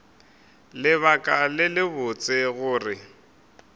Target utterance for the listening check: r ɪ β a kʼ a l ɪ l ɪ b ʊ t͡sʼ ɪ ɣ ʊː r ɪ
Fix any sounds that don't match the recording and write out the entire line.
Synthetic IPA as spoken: l ɪ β a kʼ a l ɪ l ɪ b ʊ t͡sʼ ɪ ɣ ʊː r ɪ